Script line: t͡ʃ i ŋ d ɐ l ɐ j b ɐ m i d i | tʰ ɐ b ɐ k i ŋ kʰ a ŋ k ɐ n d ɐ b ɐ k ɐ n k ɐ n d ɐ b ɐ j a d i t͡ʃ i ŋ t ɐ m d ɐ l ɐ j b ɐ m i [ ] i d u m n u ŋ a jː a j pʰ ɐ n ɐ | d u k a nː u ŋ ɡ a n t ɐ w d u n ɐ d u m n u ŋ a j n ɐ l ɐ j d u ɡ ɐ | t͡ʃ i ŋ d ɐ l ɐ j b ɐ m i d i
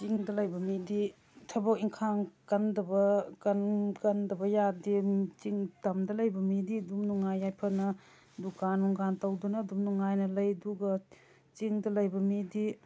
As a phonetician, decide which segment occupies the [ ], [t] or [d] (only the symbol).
d